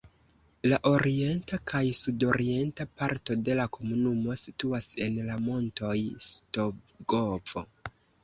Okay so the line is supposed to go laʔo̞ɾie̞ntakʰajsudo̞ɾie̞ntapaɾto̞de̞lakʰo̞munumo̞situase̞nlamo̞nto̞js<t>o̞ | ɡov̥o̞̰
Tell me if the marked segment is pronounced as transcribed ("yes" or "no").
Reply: yes